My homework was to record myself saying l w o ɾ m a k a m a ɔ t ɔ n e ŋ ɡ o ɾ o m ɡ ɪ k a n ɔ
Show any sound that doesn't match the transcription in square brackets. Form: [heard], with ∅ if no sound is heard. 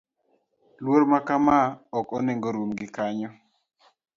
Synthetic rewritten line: l w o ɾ m a k a m a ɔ [k] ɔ n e ŋ ɡ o ɾ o m ɡ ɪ k a [ɲ] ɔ